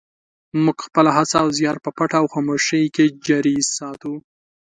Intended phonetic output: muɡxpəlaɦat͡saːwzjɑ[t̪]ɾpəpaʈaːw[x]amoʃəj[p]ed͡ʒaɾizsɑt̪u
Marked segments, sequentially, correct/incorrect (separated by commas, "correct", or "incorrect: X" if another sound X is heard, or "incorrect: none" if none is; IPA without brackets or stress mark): incorrect: none, correct, incorrect: k